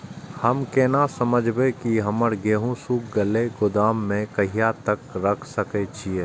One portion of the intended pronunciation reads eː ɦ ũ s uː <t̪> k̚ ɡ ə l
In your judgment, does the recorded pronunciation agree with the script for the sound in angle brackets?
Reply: no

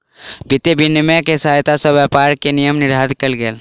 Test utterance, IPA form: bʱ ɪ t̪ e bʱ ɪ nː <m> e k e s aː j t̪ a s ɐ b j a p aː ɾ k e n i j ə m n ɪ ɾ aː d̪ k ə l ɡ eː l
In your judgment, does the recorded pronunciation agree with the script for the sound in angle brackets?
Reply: yes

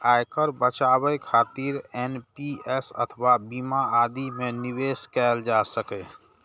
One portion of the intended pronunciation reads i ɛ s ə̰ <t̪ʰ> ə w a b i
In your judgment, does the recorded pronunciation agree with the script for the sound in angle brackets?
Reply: yes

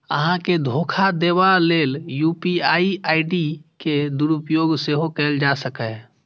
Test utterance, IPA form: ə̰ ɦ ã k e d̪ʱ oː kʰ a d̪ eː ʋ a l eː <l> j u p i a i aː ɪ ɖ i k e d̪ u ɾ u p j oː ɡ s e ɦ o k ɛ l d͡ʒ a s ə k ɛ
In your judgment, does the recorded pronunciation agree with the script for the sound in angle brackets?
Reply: yes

